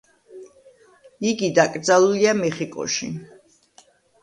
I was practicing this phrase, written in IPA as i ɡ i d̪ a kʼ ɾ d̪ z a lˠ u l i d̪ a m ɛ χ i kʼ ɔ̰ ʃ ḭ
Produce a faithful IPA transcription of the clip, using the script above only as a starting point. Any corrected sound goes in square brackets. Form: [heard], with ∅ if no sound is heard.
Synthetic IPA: i ɡ i d̪ a kʼ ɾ d̪ z a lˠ u l i [∅] a m ɛ χ i kʼ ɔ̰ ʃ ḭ